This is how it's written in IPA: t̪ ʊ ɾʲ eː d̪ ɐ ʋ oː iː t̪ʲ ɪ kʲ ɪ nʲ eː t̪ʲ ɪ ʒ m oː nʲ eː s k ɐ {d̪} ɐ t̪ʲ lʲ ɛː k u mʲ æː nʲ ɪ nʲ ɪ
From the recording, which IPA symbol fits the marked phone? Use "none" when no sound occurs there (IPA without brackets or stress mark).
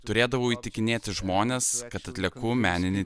t̪